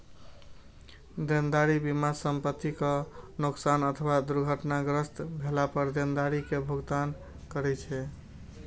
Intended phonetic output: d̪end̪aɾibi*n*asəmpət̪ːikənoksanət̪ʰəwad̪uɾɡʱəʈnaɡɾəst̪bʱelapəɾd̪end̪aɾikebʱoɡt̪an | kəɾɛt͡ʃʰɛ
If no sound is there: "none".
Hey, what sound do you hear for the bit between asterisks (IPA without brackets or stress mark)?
m